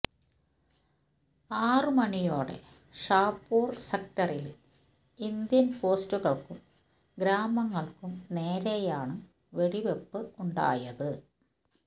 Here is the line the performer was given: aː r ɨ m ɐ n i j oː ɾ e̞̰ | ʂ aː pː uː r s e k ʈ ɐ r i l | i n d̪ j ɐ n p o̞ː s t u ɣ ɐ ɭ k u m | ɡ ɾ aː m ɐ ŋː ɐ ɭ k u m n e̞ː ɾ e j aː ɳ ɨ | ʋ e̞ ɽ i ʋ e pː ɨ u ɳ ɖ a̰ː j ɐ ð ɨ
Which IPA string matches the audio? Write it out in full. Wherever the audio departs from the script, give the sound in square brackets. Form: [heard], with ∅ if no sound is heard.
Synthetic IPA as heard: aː r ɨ m ɐ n i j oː [ɽ] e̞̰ | ʂ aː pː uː r s e k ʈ ɐ r i l | i n d̪ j ɐ n p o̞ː s t u ɣ ɐ ɭ k u m | ɡ ɾ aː m ɐ ŋː ɐ ɭ k u m n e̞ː ɾ e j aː ɳ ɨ | ʋ e̞ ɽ i ʋ e pː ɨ u ɳ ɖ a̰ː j ɐ ð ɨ